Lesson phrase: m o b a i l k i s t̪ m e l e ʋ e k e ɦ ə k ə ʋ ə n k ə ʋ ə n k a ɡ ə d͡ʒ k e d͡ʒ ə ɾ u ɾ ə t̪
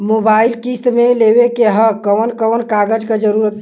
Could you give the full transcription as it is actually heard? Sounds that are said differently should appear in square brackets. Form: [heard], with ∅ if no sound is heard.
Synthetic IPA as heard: m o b a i l k i s t̪ m e l e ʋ e k e ɦ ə k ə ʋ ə n k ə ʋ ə n k a ɡ ə d͡ʒ k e d͡ʒ ə ɾ u ɾ ə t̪